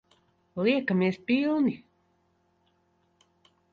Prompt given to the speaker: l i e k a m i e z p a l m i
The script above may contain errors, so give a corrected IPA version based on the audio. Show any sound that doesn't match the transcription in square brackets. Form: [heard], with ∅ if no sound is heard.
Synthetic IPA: l i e k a m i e [s] p [i] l [n] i